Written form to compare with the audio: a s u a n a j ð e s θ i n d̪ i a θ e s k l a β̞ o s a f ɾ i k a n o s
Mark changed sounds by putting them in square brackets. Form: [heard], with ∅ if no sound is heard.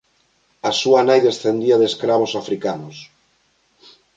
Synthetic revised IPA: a s u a n a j ð e s θ [e] n d̪ i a [ð] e s k [ɾ] a β̞ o s a f ɾ i k a n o s